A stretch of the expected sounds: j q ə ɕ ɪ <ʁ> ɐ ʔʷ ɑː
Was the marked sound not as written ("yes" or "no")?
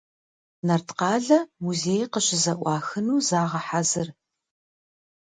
yes